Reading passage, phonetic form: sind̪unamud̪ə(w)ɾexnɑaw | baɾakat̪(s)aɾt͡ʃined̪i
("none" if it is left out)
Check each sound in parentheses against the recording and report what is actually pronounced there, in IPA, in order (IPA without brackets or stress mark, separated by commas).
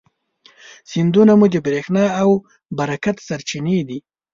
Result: b, s